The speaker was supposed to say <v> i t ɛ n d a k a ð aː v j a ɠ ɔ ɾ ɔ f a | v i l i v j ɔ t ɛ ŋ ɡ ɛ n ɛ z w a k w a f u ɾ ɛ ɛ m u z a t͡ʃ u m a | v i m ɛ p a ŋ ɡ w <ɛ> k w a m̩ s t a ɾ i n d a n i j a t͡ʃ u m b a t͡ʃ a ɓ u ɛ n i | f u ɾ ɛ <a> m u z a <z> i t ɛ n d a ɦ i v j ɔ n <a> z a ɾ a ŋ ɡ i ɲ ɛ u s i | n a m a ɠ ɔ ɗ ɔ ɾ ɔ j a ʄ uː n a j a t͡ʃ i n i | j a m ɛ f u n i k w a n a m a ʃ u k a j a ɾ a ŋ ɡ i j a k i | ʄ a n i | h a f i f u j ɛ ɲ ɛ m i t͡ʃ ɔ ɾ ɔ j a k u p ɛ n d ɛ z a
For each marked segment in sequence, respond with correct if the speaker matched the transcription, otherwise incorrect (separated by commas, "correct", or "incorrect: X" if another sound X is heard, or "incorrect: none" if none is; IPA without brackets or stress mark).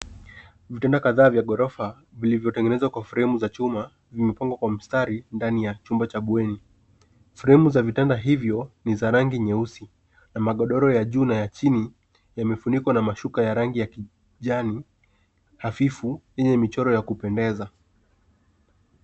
correct, incorrect: a, incorrect: ɛ, incorrect: v, incorrect: i